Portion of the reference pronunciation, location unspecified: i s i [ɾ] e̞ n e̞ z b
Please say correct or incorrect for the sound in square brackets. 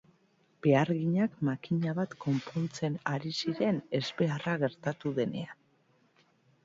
correct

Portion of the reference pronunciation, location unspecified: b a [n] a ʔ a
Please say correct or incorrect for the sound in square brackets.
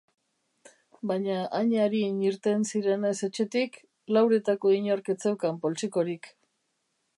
incorrect: ɲ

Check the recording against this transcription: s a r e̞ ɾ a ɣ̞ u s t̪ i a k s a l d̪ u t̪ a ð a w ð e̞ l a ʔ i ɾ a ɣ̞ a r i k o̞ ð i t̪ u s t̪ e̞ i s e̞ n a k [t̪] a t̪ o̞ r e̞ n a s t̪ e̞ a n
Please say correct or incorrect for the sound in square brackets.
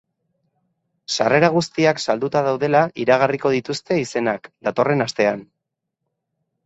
incorrect: d̪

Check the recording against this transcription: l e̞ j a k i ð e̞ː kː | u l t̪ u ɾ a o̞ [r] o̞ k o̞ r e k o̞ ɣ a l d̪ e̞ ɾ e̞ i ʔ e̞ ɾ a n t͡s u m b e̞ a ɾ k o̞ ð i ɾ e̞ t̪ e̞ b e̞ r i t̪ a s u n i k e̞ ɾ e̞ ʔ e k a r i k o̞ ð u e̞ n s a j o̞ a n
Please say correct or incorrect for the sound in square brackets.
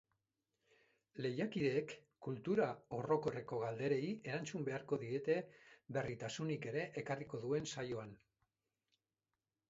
correct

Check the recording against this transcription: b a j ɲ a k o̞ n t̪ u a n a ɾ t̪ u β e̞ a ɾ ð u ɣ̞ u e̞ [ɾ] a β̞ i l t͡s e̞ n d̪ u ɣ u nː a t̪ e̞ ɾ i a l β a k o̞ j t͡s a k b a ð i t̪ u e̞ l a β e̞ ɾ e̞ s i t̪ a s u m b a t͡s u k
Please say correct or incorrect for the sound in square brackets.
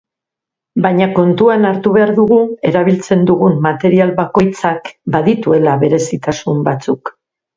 correct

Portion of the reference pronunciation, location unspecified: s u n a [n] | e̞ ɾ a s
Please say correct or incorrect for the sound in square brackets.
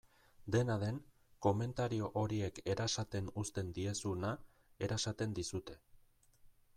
incorrect: none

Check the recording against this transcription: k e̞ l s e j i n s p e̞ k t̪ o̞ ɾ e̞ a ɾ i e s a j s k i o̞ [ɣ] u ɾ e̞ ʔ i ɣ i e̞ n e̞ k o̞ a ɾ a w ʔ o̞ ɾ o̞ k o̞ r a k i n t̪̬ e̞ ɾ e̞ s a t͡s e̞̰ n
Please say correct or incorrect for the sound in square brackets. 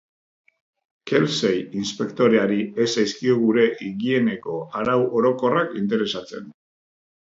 correct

